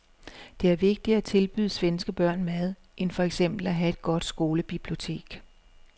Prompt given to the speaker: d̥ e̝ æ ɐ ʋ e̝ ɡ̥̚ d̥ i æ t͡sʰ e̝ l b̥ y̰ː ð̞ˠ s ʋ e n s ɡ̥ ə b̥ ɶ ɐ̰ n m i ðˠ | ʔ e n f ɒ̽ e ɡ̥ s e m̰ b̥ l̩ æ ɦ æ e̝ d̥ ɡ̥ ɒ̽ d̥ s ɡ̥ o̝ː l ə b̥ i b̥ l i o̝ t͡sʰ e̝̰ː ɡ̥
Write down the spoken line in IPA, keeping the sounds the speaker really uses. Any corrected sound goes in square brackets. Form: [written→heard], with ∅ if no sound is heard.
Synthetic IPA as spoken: d̥ e̝ æ ɐ ʋ e̝ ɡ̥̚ d̥ i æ t͡sʰ e̝ l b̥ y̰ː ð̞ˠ s ʋ e n s ɡ̥ ə b̥ ɶ ɐ̰ n m [i→æ] ðˠ | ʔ e n f ɒ̽ e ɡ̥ s e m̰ b̥ l̩ æ ɦ æ e̝ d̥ ɡ̥ ɒ̽ d̥ s ɡ̥ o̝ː l ə b̥ i b̥ l i o̝ t͡sʰ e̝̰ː ɡ̥